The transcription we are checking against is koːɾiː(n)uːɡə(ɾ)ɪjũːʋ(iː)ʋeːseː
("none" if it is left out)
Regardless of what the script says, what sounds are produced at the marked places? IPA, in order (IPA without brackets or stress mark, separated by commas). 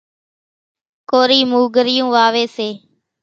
m, ɾ, aː